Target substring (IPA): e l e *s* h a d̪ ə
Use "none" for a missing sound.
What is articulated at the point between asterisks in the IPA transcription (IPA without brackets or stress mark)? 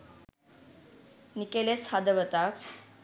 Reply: s